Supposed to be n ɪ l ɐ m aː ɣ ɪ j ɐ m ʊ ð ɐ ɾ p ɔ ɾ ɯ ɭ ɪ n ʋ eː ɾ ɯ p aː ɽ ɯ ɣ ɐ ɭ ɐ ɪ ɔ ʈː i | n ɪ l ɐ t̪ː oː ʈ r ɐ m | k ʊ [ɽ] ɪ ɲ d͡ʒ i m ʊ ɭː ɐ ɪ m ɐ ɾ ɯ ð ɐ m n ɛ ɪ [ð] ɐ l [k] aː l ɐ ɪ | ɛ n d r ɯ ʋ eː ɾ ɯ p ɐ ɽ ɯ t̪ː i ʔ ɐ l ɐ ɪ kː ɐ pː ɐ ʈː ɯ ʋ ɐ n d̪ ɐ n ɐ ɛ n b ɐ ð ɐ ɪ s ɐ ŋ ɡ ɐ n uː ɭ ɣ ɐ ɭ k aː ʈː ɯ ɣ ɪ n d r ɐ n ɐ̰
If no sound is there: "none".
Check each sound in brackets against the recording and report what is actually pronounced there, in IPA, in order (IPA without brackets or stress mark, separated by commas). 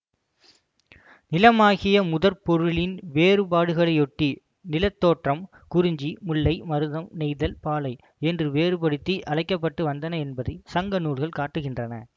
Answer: ɾ, ð, p